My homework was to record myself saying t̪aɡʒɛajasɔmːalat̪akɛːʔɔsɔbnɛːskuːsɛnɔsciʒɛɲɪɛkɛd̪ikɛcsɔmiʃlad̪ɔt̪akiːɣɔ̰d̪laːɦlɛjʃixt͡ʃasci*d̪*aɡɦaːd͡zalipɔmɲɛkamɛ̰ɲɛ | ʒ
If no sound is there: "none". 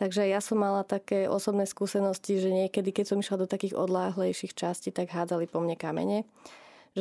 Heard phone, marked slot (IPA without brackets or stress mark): t̪